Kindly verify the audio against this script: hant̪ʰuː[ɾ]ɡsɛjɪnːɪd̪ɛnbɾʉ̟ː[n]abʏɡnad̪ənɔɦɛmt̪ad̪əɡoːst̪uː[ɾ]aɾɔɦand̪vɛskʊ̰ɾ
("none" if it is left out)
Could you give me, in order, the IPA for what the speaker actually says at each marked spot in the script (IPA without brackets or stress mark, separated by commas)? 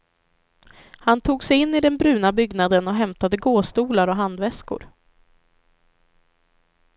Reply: none, n, l